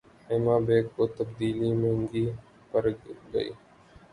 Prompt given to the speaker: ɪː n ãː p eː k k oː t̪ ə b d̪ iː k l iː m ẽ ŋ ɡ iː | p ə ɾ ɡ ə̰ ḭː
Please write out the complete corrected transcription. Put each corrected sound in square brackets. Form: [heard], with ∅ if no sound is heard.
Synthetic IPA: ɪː [m] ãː [b] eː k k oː t̪ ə b d̪ iː [∅] l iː m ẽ ŋ ɡ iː | p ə ɾ ɡ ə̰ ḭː